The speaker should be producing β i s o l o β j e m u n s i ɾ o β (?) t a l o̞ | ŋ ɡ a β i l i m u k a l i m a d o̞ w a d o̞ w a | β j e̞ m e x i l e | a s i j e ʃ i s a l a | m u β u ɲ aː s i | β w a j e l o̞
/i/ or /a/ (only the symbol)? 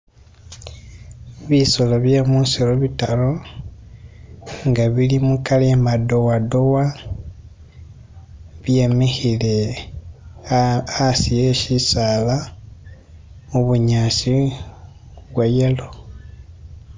i